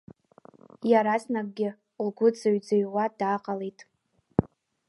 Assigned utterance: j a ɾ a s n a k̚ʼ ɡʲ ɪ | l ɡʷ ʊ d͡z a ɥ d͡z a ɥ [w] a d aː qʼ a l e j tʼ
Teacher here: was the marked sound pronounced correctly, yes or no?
yes